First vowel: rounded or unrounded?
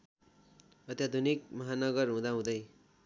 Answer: unrounded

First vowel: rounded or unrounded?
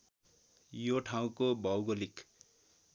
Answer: rounded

